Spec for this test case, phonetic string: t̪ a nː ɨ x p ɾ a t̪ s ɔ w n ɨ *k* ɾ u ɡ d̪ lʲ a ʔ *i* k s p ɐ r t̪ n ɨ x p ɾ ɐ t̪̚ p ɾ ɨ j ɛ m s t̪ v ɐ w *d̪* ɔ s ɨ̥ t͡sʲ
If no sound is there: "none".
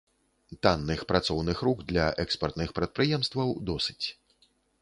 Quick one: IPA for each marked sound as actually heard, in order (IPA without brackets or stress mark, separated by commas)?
x, ɛ, d̪